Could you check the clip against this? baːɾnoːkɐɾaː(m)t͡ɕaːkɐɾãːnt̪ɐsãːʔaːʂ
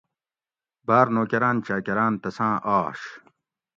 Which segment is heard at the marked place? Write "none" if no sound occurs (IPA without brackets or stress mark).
n